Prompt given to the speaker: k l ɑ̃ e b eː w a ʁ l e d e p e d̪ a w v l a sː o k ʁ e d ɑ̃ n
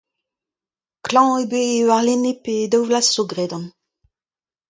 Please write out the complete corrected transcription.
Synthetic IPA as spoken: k l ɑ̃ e b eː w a ʁ l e n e p e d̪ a w v l a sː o ɡ ʁ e d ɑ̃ n